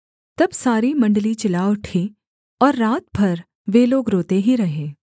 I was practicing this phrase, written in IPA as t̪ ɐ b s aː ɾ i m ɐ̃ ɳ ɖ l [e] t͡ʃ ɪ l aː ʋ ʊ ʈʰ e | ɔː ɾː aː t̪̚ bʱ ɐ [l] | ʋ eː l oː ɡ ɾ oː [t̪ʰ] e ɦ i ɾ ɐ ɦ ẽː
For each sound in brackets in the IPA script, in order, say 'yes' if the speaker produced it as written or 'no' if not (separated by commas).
no, no, no